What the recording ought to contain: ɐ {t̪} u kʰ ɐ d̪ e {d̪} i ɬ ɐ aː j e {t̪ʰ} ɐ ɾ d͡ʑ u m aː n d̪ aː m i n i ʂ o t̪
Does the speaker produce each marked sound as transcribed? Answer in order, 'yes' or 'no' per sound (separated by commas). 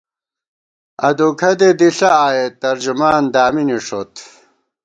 no, yes, no